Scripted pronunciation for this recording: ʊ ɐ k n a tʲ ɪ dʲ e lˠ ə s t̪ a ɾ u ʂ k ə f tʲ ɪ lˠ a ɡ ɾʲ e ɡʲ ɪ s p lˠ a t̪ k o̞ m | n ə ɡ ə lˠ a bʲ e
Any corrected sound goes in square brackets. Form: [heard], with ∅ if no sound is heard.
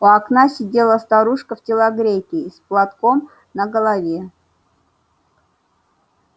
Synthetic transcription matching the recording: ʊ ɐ k n a [sʲ] ɪ dʲ e lˠ ə s t̪ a ɾ u ʂ k ə f tʲ ɪ lˠ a ɡ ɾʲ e [kʲ] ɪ s p lˠ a t̪ k o̞ m | n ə ɡ ə lˠ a [vʲ] e